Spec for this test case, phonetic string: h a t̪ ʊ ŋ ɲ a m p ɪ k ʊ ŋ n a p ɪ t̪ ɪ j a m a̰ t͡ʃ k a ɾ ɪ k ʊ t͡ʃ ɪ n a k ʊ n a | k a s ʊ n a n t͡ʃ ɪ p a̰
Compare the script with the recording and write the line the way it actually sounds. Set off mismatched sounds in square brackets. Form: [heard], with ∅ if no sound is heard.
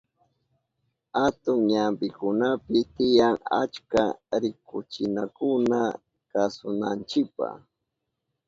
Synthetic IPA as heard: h a t̪ ʊ ŋ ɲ a m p ɪ k ʊ [∅] n a p ɪ t̪ ɪ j a [ŋ] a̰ t͡ʃ k a ɾ ɪ k ʊ t͡ʃ ɪ n a k ʊ n a | k a s ʊ n a n t͡ʃ ɪ p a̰